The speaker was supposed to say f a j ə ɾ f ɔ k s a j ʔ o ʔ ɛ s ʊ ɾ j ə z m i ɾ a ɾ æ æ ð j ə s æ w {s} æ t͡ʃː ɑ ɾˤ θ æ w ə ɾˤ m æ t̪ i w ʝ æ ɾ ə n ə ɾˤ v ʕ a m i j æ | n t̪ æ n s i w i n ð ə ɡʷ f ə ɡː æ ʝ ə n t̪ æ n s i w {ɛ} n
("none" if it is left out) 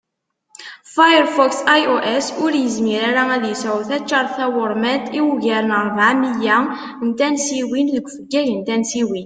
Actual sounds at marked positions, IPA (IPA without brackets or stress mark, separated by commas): θ, i